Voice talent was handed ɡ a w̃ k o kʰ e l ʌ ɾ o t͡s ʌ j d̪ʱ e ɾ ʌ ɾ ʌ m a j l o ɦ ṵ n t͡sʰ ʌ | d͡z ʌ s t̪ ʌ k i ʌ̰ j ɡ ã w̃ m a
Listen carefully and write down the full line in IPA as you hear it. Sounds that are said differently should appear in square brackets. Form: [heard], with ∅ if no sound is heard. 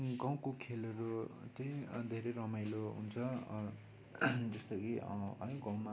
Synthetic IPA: ɡ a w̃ k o kʰ e l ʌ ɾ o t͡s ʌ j d̪ʱ e ɾ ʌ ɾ ʌ m a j l o ɦ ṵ n t͡sʰ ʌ | d͡z ʌ s t̪ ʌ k i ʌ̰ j ɡ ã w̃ m a